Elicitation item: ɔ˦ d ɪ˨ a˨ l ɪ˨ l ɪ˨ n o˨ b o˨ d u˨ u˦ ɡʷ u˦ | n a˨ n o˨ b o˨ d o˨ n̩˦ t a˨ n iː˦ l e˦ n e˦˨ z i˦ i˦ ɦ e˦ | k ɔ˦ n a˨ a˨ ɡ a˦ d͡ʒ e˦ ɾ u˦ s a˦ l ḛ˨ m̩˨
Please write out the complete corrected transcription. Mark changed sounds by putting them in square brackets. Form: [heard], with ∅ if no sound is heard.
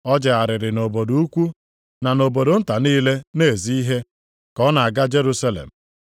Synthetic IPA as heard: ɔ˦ [d͡ʒ] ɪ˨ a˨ [ɾ] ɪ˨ [ɾ] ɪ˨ n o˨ b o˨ d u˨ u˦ [kʷ] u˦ | n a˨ n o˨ b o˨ d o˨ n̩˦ t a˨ n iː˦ l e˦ n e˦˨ z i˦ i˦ ɦ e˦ | k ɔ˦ n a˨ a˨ ɡ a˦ d͡ʒ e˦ ɾ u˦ s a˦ l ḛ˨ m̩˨

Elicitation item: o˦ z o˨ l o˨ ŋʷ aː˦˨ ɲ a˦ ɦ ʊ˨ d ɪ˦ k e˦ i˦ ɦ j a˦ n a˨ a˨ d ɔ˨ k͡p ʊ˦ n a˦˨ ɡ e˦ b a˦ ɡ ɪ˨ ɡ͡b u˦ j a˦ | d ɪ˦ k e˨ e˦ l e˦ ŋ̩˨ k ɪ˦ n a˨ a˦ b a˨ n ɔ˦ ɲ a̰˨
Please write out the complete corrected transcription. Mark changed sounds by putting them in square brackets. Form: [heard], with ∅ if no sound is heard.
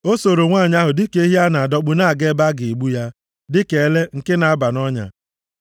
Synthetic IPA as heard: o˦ [s] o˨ [ɾ] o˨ ŋʷ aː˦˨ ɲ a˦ ɦ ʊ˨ d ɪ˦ k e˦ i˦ ɦ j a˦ n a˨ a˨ d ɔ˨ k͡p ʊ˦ n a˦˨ ɡ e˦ b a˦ ɡ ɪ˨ ɡ͡b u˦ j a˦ | d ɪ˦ k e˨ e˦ l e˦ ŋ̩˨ k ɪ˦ n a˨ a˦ b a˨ n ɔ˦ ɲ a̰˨

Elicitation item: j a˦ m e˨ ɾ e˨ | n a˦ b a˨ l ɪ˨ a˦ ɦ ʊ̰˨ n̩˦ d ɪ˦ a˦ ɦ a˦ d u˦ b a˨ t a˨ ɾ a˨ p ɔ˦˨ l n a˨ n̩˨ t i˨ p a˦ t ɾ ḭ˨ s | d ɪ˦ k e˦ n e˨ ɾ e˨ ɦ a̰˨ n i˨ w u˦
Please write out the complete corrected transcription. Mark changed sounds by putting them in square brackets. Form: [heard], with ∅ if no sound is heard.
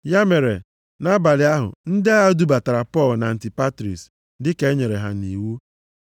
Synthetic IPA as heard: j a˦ m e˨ ɾ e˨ | n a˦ b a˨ l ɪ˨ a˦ ɦ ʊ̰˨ n̩˦ d ɪ˦ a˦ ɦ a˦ d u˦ b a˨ t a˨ ɾ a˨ p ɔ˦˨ l n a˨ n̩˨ t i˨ p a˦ t ɾ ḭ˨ s | d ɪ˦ k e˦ [ɲ] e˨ ɾ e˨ ɦ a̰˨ n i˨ w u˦

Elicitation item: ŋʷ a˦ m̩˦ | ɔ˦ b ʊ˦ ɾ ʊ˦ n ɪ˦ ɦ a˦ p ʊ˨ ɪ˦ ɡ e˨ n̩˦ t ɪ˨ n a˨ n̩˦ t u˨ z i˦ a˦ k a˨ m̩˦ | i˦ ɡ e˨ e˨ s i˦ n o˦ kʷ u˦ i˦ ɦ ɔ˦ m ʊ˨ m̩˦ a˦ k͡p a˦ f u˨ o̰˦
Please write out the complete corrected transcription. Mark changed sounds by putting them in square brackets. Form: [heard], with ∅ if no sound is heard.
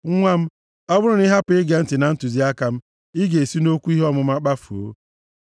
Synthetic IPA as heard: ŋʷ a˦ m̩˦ | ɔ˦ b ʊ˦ ɾ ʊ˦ n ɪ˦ ɦ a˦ p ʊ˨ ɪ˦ ɡ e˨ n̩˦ t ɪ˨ n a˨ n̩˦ t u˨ z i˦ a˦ k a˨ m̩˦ | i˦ ɡ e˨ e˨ s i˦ n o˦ kʷ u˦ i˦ ɦ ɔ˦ m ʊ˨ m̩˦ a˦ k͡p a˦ f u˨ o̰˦

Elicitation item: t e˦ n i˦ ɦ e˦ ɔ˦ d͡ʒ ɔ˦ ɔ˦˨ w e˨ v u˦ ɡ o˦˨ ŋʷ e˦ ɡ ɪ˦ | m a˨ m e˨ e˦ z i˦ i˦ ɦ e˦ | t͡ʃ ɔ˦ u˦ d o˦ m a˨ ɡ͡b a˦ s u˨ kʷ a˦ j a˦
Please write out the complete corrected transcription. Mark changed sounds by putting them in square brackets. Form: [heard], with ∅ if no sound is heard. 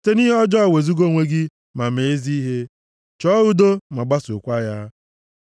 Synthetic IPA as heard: t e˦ n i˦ ɦ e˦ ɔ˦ d͡ʒ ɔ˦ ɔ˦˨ w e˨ [z] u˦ ɡ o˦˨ ŋʷ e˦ ɡ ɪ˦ | m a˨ m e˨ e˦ z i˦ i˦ ɦ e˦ | t͡ʃ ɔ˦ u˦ d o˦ m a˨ ɡ͡b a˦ s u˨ kʷ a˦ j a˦

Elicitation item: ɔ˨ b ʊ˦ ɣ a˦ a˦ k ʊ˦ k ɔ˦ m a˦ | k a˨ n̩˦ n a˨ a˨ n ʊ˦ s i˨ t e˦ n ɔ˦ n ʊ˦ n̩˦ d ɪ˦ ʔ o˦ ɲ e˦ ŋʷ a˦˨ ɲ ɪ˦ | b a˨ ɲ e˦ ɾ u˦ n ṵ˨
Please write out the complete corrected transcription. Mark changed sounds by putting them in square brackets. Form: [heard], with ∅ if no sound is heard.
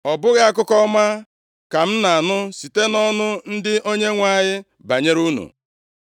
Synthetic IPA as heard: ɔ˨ b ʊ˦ ɣ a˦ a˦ k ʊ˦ k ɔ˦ m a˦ | k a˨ [m̩˦] n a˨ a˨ n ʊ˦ s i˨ t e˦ n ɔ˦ n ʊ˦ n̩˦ d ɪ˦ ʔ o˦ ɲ e˦ ŋʷ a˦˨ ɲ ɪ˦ | b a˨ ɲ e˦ ɾ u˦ n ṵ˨

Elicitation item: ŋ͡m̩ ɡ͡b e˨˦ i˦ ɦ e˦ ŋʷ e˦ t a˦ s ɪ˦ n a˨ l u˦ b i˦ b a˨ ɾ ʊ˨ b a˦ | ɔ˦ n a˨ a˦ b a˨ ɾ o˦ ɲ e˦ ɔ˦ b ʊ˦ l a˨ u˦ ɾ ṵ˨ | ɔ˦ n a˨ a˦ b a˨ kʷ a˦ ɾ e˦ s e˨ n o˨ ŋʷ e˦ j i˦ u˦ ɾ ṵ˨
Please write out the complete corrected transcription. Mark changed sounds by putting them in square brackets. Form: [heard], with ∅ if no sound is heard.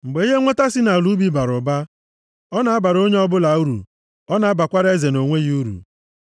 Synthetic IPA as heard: ŋ͡m̩ ɡ͡b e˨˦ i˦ ɦ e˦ ŋʷ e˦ t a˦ s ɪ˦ n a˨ l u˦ b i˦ b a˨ ɾ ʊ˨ b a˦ | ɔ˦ n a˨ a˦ b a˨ ɾ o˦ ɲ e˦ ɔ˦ b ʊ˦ l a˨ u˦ ɾ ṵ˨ | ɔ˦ n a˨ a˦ b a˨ kʷ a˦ ɾ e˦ [z] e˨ n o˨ ŋʷ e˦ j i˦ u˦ ɾ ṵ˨

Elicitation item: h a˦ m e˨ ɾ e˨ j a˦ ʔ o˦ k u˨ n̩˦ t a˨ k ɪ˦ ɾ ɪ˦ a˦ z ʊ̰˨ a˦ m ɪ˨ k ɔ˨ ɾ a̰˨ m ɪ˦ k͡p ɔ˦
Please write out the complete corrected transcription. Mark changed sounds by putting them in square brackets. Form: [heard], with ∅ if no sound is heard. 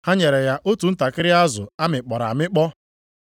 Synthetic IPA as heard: h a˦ [ɲ] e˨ ɾ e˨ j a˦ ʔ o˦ [t] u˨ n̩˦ t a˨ k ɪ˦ ɾ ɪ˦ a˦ z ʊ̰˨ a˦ m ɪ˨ [k͡p] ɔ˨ ɾ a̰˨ m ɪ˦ k͡p ɔ˦

